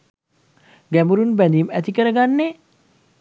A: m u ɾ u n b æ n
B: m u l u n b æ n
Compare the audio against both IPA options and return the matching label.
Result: A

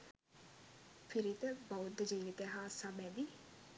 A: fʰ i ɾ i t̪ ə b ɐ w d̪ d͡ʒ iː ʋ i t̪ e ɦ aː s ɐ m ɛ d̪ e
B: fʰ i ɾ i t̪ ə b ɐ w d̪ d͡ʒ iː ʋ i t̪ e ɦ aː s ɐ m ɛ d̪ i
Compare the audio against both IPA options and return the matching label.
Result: B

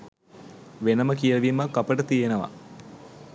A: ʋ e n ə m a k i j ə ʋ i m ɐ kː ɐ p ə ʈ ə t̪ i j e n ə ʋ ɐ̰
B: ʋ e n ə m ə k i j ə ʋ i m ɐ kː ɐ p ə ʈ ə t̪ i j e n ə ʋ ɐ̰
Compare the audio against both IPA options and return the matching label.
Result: B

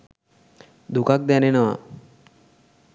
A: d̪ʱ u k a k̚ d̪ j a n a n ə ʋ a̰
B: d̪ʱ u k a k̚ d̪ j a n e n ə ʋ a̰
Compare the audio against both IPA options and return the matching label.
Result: B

